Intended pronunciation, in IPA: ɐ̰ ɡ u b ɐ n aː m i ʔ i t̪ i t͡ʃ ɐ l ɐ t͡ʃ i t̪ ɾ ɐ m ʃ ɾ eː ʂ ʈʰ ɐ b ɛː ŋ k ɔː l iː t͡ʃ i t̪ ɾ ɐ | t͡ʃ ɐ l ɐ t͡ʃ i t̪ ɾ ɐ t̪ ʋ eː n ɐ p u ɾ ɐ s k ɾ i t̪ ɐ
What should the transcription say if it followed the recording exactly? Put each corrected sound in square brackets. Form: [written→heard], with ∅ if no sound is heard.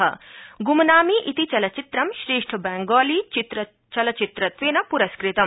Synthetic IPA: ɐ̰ ɡ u [b→m] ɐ n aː m i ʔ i t̪ i t͡ʃ ɐ l ɐ t͡ʃ i t̪ ɾ ɐ m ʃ ɾ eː ʂ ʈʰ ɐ b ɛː ŋ [k→ɡ] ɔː l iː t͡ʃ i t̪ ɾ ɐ | t͡ʃ ɐ l ɐ t͡ʃ i t̪ ɾ ɐ t̪ ʋ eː n ɐ p u ɾ ɐ s k ɾ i t̪ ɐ